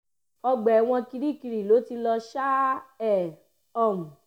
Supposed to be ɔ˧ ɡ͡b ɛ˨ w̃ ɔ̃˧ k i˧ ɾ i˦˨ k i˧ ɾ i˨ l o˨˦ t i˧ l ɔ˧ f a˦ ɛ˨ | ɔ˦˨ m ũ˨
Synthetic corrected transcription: ɔ˧ ɡ͡b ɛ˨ w̃ ɔ̃˧ k i˧ ɾ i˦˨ k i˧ ɾ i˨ l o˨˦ t i˧ l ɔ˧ ʃ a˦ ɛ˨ | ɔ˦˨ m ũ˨